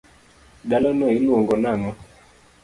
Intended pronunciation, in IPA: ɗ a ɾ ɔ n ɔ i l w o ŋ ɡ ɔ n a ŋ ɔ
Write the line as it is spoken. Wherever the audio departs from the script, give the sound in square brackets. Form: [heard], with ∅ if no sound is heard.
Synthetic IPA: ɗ a [l] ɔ n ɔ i l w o ŋ ɡ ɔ n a ŋ ɔ